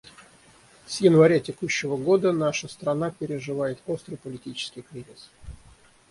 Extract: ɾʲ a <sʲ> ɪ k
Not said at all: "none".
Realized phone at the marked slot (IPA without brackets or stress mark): tʲ